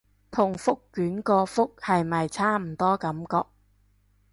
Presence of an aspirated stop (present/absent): present